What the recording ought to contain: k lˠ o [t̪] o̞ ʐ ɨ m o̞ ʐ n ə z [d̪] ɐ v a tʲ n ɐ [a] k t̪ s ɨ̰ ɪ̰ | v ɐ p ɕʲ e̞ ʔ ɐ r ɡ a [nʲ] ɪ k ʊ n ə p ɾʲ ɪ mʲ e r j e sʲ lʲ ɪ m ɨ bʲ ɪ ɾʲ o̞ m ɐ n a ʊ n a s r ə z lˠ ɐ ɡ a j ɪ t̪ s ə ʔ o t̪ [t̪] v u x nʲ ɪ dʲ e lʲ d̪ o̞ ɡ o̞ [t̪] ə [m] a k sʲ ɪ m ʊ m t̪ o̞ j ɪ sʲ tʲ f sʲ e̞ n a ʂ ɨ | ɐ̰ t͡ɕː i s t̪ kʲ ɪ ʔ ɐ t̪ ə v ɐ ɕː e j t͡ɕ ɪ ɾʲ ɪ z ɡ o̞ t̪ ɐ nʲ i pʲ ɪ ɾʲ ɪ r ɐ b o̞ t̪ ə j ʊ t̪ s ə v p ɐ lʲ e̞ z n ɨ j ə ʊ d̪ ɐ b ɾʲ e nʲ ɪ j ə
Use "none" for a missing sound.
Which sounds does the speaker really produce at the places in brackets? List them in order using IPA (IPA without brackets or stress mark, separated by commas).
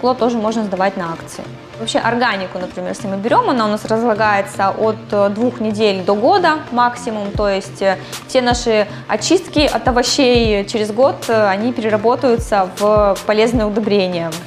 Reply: t̪, d̪, a, nʲ, d̪, d̪, m